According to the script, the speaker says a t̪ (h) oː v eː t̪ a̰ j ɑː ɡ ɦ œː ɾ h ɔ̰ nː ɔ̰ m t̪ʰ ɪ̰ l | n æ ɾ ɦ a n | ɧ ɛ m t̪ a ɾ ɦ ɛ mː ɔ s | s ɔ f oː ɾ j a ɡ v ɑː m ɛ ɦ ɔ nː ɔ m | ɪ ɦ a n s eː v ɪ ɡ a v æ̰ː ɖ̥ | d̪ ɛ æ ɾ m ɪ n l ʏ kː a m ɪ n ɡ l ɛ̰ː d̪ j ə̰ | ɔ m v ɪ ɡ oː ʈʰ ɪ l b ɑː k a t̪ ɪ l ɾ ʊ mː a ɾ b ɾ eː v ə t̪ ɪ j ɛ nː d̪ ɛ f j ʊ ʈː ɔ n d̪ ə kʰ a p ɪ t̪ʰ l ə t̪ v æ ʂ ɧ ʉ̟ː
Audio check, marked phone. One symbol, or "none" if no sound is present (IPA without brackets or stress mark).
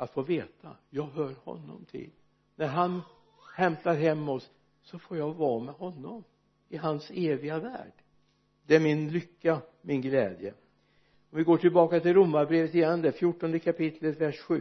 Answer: f